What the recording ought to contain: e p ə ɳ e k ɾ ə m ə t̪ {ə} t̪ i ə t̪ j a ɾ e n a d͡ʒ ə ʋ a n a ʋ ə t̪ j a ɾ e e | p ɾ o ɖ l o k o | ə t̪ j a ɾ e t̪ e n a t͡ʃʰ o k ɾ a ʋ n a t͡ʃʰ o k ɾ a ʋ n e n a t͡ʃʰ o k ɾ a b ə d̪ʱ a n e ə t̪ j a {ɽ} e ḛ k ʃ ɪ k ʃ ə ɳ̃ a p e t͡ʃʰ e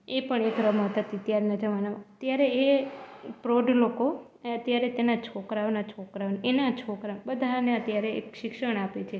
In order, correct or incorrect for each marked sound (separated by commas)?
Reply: correct, incorrect